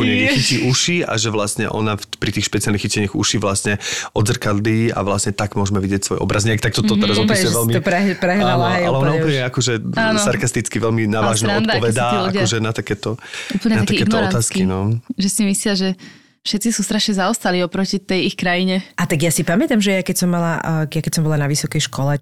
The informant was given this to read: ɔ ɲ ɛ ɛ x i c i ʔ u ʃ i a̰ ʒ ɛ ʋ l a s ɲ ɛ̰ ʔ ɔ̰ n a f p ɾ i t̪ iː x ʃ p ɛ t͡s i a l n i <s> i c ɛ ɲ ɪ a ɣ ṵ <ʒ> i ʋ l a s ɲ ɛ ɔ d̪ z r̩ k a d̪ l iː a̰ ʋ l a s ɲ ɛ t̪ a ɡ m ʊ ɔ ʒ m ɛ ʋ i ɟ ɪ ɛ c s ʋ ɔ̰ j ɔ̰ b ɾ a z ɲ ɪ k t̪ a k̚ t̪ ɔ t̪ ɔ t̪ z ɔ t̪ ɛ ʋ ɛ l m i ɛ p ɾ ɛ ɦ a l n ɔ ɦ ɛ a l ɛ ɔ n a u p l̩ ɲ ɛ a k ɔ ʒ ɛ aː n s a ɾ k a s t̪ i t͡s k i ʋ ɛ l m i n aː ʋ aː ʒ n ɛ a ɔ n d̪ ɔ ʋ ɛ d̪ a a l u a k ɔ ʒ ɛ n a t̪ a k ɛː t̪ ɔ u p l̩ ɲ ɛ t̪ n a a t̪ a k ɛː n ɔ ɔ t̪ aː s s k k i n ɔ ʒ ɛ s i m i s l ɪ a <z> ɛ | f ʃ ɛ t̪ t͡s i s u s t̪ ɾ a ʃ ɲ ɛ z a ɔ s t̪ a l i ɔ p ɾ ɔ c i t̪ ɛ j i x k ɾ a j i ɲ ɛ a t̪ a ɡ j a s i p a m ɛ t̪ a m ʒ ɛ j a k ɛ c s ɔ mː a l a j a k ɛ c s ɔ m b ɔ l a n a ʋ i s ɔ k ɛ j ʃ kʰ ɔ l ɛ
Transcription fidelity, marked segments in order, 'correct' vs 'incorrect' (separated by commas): incorrect, incorrect, incorrect